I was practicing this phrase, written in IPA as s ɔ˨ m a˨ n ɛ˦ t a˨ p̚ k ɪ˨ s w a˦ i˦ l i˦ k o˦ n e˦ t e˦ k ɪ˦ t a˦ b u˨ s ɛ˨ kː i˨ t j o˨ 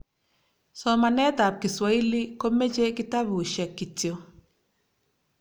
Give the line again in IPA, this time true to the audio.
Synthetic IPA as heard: s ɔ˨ m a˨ n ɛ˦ t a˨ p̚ k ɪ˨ s w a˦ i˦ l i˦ k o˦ m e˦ t͡ʃ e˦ k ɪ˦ t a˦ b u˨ ʃ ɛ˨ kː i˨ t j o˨